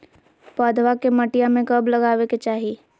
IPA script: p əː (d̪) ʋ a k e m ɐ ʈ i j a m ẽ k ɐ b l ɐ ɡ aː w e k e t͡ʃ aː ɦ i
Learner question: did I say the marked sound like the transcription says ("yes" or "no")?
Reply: yes